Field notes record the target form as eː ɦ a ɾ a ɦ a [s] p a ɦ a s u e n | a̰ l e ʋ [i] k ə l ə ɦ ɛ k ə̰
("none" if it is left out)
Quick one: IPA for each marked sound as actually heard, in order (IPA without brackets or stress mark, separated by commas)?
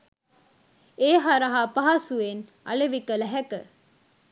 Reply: none, i